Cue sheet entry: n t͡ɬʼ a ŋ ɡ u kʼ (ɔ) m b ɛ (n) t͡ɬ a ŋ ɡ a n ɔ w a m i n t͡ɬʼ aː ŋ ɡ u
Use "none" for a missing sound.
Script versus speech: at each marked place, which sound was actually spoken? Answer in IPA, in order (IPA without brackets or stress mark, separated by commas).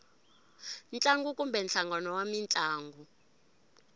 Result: u, n